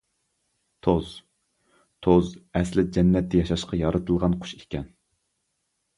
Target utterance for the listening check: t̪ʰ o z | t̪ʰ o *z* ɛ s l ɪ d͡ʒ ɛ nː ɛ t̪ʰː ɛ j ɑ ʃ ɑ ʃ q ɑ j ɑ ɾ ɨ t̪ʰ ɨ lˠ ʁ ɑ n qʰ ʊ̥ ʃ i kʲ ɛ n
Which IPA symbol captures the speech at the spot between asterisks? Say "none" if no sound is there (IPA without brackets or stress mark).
z